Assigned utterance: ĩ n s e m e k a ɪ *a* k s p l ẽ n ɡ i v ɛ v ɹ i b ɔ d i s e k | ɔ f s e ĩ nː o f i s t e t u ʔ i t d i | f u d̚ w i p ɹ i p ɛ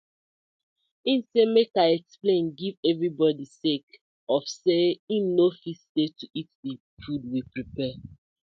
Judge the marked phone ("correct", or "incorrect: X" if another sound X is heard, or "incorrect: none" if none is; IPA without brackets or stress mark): incorrect: ɛ